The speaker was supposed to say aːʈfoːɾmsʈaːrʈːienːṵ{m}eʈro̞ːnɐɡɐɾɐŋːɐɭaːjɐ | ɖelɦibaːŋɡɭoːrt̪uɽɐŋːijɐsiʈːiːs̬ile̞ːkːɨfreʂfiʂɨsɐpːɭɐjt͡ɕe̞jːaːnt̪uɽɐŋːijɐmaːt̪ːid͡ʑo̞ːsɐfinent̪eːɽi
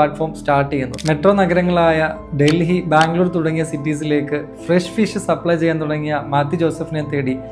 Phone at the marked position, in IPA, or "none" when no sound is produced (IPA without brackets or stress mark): m